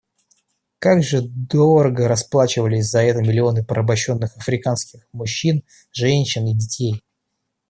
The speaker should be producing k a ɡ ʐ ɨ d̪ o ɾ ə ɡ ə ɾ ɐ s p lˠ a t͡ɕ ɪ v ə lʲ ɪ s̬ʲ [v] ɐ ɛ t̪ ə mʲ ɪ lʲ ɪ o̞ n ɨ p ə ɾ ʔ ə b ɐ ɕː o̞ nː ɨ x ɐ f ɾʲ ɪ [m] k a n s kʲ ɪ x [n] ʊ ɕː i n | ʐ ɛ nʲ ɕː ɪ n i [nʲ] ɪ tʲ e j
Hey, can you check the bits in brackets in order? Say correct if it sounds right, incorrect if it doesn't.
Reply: incorrect: z, incorrect: none, incorrect: m, incorrect: dʲ

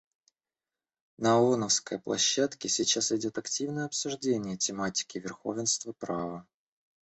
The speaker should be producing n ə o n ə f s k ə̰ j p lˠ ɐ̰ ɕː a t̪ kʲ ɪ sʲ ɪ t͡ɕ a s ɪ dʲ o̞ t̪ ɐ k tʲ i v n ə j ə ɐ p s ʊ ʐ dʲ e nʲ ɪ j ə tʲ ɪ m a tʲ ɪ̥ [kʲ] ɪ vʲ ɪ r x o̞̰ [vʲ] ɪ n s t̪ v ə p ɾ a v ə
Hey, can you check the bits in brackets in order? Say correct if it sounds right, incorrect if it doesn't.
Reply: correct, correct

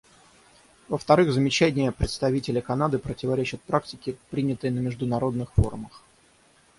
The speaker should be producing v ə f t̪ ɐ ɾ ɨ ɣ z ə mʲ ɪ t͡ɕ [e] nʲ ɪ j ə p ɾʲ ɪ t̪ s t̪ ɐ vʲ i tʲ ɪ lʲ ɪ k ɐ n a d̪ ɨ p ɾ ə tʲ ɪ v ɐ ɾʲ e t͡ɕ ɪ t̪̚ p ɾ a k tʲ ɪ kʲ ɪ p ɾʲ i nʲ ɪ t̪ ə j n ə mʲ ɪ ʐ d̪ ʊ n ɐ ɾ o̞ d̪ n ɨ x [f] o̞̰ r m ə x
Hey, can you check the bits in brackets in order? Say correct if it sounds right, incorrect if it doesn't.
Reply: incorrect: æ, correct

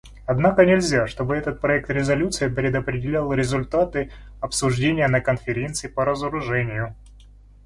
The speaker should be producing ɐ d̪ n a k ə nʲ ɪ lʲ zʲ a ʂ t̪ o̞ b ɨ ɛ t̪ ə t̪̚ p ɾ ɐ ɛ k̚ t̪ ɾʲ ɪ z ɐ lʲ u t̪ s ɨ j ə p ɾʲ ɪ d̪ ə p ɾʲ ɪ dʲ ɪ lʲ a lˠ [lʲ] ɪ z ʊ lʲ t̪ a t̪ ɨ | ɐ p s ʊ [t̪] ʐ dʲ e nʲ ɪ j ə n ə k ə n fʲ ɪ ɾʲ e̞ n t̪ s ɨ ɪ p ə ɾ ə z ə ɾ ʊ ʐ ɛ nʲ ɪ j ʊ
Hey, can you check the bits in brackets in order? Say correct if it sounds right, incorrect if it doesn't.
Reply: incorrect: ɾʲ, incorrect: none

